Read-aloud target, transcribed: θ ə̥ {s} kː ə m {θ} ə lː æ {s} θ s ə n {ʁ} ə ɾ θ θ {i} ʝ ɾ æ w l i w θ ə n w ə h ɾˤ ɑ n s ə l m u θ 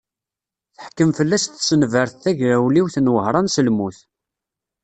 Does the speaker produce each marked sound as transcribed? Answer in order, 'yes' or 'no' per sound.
no, no, yes, no, no

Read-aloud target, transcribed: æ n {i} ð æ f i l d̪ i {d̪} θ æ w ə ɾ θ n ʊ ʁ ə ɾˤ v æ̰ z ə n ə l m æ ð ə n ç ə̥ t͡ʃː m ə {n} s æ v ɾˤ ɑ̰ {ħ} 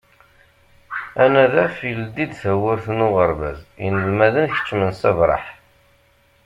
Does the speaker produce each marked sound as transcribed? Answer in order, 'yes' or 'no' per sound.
no, yes, yes, yes

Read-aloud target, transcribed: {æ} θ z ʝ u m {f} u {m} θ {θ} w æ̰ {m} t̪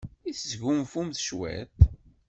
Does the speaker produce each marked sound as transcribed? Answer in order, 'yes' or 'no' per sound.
no, yes, yes, no, no

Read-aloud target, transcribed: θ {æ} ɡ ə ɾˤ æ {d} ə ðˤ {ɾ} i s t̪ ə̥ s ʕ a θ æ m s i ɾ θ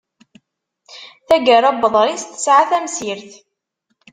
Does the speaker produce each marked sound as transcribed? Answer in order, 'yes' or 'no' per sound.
yes, no, yes

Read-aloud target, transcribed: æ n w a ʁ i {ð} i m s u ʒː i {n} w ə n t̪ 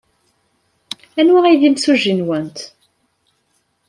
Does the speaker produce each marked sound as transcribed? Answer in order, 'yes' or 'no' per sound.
yes, yes

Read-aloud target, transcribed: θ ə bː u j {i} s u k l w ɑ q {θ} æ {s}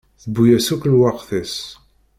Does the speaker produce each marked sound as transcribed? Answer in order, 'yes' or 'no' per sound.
no, yes, yes

